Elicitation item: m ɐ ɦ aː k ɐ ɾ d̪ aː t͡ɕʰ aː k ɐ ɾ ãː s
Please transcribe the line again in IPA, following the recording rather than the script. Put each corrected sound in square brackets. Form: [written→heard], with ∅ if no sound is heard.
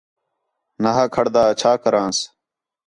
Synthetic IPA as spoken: [m→n] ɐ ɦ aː [k→kʰ] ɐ [ɾ→ɽ] d̪ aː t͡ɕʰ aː k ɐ ɾ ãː s